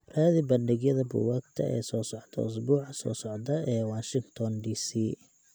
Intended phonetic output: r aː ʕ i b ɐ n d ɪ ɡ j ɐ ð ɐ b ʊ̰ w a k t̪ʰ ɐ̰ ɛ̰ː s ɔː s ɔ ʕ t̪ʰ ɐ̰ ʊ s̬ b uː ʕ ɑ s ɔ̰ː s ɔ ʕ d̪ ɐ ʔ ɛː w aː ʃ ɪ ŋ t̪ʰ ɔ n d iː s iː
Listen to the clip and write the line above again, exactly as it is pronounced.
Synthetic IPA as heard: r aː ð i b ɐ n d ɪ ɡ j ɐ ð ɐ b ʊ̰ w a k t̪ʰ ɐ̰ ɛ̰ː s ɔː s ɔ ʕ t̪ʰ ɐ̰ ʊ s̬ b uː ʕ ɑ s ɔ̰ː s ɔ ʕ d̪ ɐ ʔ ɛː w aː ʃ ɪ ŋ t̪ʰ ɔ n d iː s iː